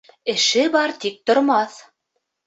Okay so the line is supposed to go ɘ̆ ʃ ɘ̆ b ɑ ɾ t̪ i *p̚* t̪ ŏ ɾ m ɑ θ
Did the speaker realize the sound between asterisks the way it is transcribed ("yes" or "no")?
no